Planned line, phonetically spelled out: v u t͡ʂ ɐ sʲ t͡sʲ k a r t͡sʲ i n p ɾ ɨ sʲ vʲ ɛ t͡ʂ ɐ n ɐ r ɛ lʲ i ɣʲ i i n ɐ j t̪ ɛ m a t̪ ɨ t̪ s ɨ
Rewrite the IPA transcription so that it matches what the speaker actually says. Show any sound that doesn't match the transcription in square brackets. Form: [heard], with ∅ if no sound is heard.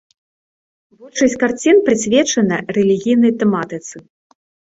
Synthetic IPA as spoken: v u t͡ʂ ɐ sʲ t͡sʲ k a r t͡sʲ i n p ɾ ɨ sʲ vʲ ɛ t͡ʂ ɐ n ɐ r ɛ lʲ i ɣʲ i [j] n ɐ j t̪ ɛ m a t̪ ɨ t̪ s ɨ

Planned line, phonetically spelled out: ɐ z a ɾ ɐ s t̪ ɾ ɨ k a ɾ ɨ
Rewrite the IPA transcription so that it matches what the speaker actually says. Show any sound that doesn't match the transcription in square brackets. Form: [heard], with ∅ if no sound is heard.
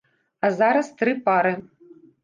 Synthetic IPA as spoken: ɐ z a ɾ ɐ s t̪ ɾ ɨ [p] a ɾ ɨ

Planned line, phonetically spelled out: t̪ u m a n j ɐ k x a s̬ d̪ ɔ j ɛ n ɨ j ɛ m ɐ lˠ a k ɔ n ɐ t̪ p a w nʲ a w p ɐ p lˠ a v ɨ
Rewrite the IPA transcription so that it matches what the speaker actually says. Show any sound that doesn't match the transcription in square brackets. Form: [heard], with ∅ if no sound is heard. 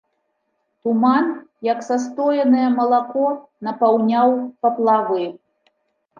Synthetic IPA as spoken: t̪ u m a n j ɐ k [s] a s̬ [t̪] ɔ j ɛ n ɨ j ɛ m ɐ lˠ a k ɔ n ɐ [∅] p a w nʲ a w p ɐ p lˠ a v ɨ

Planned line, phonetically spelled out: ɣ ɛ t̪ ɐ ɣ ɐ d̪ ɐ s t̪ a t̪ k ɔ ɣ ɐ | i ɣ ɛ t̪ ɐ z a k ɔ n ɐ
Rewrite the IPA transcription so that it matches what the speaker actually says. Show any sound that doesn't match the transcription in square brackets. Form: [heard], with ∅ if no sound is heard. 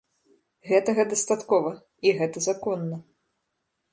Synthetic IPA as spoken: ɣ ɛ t̪ ɐ ɣ ɐ d̪ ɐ s t̪ a t̪ k ɔ [v] ɐ | i ɣ ɛ t̪ ɐ z a k ɔ [nː] ɐ

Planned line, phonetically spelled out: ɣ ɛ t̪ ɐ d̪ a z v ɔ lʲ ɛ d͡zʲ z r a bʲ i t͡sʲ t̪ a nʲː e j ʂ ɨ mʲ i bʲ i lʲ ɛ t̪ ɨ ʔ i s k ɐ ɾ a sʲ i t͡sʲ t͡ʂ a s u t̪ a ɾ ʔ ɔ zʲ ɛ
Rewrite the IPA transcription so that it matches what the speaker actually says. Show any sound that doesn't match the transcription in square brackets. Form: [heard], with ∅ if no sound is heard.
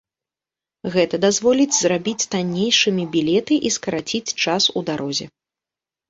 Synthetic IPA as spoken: ɣ ɛ t̪ ɐ d̪ a z v ɔ lʲ [i] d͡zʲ z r a bʲ i t͡sʲ t̪ a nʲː e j ʂ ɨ mʲ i bʲ i lʲ ɛ t̪ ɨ ʔ i s k ɐ ɾ a [t͡sʲ] i t͡sʲ t͡ʂ a s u [d̪] a ɾ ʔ ɔ zʲ ɛ

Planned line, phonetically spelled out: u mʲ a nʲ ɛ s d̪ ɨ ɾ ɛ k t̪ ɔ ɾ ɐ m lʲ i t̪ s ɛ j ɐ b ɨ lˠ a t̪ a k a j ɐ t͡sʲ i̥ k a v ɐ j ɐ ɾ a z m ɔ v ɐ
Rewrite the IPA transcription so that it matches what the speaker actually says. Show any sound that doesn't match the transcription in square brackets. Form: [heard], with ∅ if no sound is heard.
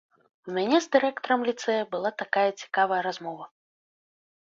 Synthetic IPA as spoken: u mʲ a nʲ ɛ [z] d̪ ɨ ɾ ɛ k t̪ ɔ ɾ ɐ m lʲ i t̪ s ɛ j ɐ b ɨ lˠ a t̪ a k a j ɐ t͡sʲ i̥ k a v ɐ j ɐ ɾ a z m ɔ v ɐ

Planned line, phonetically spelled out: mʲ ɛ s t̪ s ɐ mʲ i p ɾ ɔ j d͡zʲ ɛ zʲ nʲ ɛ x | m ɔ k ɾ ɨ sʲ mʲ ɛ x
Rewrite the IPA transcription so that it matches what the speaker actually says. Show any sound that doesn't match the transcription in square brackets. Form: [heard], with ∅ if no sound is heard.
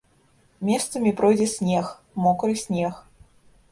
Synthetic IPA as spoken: mʲ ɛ s t̪ s ɐ mʲ i p ɾ ɔ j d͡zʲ ɛ [sʲ] nʲ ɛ x | m ɔ k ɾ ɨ sʲ [nʲ] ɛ x

